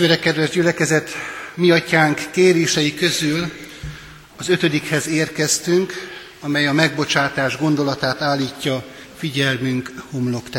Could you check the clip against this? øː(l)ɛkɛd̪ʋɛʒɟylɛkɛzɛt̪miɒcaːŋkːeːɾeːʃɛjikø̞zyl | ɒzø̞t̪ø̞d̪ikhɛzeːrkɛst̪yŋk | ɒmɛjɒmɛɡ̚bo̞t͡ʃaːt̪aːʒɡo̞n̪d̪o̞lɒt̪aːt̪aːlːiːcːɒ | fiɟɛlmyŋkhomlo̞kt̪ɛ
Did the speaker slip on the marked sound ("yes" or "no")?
yes